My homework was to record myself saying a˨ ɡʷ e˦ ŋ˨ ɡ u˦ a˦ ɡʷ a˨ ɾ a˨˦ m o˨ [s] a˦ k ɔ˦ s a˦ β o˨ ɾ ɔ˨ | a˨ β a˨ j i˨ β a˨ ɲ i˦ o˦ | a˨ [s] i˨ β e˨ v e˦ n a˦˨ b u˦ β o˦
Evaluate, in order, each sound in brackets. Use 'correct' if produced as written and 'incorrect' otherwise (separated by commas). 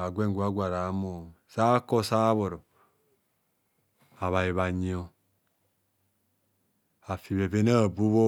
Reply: correct, incorrect